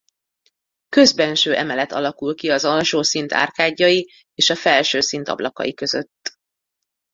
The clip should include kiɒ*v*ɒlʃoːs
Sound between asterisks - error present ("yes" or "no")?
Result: yes